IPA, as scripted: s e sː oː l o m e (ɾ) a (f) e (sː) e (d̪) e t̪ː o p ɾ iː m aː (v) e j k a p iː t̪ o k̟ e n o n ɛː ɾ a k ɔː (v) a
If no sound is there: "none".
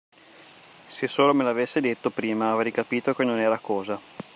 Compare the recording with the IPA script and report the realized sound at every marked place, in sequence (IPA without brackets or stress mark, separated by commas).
l, v, sː, d̪, v, z